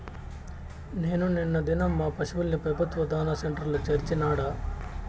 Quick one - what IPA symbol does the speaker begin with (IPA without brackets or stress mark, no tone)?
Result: n